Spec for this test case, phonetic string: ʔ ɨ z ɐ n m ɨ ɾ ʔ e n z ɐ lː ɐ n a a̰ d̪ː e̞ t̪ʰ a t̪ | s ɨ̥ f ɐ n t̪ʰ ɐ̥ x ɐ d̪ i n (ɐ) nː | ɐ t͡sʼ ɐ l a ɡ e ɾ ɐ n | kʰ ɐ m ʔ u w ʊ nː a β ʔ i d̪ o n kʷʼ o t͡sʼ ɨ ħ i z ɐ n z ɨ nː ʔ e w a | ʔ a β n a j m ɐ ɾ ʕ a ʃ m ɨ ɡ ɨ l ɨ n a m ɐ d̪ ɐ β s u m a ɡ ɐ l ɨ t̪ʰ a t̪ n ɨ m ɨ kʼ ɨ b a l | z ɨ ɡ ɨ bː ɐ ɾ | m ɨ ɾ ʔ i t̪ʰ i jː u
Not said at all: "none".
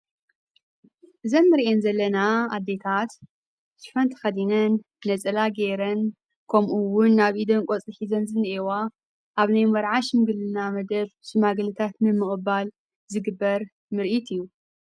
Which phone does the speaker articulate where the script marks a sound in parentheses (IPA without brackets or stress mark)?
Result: ɐ